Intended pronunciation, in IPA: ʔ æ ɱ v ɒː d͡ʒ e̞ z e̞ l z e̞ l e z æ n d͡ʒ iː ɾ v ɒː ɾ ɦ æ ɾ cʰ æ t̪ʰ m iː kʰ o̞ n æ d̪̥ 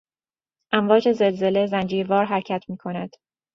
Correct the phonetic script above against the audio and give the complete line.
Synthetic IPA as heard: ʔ æ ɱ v ɒː d͡ʒ e̞ z e̞ l z e̞ l e z æ n d͡ʒ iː ɾ v ɒː ɾ ɦ æ ɾ cʰ æ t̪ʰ m iː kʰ o̞ n æ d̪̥